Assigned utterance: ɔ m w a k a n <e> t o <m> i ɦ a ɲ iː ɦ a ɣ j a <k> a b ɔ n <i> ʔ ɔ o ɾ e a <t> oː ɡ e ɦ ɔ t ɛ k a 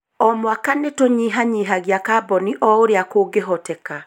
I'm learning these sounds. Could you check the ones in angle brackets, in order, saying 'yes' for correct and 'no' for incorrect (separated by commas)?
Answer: yes, no, yes, yes, no